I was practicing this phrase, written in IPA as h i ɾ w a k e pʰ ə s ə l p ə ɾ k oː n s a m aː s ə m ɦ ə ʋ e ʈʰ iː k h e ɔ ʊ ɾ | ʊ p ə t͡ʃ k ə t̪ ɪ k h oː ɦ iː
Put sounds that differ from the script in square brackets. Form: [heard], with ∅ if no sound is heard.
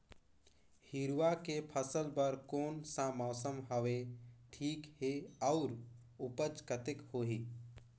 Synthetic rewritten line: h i ɾ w a k e pʰ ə s ə l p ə ɾ k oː n s a m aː s ə m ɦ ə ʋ e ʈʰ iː k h e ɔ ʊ ɾ | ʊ p ə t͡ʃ k ə t̪ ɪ k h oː ɦ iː